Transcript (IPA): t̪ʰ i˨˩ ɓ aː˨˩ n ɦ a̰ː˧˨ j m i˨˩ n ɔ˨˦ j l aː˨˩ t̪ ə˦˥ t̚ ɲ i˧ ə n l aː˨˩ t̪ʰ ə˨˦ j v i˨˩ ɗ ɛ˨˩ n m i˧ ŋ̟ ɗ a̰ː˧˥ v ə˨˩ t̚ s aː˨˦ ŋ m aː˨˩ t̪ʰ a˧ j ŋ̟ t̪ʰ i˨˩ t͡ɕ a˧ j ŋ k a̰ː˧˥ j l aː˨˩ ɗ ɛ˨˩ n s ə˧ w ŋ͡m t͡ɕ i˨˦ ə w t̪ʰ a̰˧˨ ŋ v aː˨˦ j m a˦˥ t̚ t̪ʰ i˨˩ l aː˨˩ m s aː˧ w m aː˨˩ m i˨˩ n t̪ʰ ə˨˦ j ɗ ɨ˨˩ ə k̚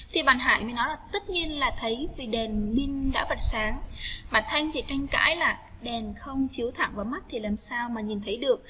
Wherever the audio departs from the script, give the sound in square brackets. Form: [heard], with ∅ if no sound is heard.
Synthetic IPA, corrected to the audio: t̪ʰ i˨˩ ɓ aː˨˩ n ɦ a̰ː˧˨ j m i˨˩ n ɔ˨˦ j l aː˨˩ t̪ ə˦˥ t̚ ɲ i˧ ə n l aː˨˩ t̪ʰ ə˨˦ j v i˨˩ ɗ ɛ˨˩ n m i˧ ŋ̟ ɗ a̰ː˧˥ v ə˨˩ t̚ s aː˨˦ ŋ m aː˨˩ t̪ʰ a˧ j ŋ̟ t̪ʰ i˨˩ t͡ɕ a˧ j ŋ k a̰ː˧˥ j l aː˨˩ ɗ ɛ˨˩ n [x] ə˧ w ŋ͡m t͡ɕ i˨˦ ə w t̪ʰ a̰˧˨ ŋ v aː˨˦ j m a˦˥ t̚ t̪ʰ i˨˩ l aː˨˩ m s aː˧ w m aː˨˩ [ɲ] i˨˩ n t̪ʰ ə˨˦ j ɗ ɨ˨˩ ə k̚

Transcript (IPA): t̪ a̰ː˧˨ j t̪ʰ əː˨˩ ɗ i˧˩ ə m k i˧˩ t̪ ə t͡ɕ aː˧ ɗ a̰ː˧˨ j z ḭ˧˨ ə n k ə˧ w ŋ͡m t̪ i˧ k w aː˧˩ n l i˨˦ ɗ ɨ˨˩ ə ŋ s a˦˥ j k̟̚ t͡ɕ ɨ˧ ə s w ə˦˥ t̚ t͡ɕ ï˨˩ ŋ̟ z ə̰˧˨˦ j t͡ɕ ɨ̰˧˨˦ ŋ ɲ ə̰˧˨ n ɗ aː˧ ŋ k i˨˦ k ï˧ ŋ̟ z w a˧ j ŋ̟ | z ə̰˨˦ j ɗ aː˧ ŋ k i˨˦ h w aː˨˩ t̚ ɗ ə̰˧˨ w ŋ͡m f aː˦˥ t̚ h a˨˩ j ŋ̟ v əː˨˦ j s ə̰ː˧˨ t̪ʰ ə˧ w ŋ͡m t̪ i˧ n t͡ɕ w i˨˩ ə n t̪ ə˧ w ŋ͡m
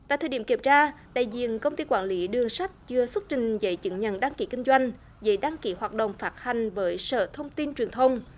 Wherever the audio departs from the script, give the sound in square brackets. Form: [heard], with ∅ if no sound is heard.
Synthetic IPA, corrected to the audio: t̪ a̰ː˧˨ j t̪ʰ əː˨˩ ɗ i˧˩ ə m k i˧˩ [∅] ə t͡ɕ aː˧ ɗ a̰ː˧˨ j z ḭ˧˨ ə n k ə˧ w ŋ͡m t̪ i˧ k w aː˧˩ n l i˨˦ ɗ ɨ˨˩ ə ŋ s a˦˥ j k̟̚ t͡ɕ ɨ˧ ə s w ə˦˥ t̚ t͡ɕ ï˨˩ ŋ̟ z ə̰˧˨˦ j t͡ɕ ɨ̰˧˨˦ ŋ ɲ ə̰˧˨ n ɗ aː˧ ŋ k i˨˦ k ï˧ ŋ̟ z w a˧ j ŋ̟ | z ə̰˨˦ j ɗ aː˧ ŋ k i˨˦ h w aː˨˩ t̚ ɗ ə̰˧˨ w ŋ͡m f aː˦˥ t̚ h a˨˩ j ŋ̟ v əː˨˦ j s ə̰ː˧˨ t̪ʰ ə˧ w ŋ͡m t̪ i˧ n t͡ɕ w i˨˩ ə n [t̪ʰ] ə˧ w ŋ͡m

